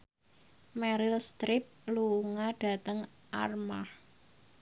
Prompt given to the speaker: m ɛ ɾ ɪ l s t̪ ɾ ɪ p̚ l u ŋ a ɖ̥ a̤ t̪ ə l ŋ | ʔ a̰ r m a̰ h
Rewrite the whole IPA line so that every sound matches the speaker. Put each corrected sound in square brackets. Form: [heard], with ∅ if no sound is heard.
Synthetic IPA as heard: m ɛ ɾ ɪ l s t̪ ɾ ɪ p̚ l u ŋ a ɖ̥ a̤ t̪ ə [∅] ŋ | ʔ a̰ r m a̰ h

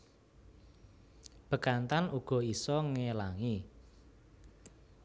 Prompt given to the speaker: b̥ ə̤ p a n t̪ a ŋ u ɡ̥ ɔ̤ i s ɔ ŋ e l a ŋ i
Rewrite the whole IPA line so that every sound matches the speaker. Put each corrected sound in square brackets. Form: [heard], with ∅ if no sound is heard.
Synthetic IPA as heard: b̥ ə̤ [k] a n t̪ a [n] u ɡ̥ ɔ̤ i s ɔ ŋ e l a ŋ i

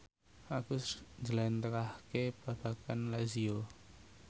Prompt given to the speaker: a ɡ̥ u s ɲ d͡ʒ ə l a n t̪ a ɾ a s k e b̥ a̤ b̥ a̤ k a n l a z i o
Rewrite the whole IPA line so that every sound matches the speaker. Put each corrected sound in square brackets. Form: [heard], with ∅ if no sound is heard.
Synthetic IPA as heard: a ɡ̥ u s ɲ d͡ʒ ə l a n t̪ [ə] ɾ a [h] k e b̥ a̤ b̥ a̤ k a n l a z i o

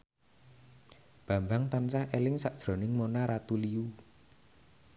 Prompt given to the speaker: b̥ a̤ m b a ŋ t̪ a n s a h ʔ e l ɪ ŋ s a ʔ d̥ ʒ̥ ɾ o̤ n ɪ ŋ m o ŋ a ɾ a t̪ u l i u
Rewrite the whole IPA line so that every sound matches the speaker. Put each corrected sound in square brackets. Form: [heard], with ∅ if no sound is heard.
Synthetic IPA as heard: b̥ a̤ m b a ŋ t̪ a n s a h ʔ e l ɪ ŋ s a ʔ d̥ ʒ̥ ɾ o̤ n ɪ ŋ m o [n] a ɾ a t̪ u l i u

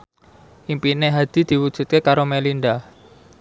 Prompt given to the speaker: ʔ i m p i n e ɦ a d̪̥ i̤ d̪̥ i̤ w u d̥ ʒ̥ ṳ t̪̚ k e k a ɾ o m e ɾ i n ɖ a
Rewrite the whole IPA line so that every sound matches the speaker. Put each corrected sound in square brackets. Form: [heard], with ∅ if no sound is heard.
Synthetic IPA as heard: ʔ i m p i n e ɦ a d̪̥ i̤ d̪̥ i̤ w u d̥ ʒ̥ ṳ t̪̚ k e k a ɾ o m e [l] i n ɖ a

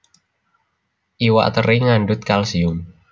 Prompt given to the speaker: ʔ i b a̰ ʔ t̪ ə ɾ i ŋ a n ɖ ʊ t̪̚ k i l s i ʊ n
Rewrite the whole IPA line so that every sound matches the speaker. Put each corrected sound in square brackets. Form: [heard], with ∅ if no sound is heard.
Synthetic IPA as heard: ʔ i [w] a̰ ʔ t̪ ə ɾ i ŋ a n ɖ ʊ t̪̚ k [a] l s i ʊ [m]

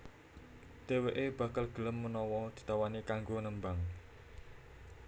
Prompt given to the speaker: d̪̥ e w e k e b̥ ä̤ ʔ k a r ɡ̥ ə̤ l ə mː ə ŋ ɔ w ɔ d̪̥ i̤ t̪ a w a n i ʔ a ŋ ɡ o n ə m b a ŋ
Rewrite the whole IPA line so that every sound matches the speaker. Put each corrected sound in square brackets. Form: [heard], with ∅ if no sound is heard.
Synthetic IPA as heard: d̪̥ e w e [ʔ] e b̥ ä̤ [∅] k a [l] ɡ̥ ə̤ l ə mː ə [n] ɔ w ɔ d̪̥ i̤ t̪ a w a n i [k] a ŋ ɡ o n ə m b a ŋ

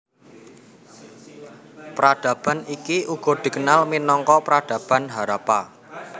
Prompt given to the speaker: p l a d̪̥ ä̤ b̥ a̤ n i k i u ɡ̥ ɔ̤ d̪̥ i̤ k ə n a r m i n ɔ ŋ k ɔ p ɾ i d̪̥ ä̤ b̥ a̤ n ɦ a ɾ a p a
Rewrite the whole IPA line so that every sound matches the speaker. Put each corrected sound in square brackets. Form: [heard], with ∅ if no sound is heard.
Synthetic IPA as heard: p [ɾ] a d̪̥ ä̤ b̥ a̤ n i k i u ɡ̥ ɔ̤ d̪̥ i̤ k ə n a [l] m i n ɔ ŋ k ɔ p ɾ [a] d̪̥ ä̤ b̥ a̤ n ɦ a ɾ a p a

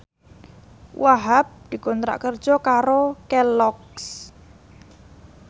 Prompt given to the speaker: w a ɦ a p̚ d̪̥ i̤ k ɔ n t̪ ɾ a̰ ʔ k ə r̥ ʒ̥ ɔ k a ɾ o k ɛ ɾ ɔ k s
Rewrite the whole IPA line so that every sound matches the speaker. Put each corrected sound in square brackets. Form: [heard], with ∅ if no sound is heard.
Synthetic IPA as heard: w a ɦ a p̚ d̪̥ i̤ k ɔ n t̪ ɾ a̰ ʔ k ə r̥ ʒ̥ ɔ k a ɾ o k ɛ [l] ɔ k s

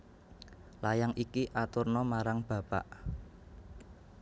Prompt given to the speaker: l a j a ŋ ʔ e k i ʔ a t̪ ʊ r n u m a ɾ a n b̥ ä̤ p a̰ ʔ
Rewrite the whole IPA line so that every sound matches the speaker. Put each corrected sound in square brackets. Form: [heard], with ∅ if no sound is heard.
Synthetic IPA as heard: l a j a ŋ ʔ [i] k i ʔ a t̪ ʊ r n [ɔ] m a ɾ a [ŋ] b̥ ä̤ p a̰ ʔ

